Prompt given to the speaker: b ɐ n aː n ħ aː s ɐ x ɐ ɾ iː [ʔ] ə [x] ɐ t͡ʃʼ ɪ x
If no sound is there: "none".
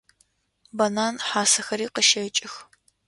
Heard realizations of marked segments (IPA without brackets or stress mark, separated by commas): q, ʃ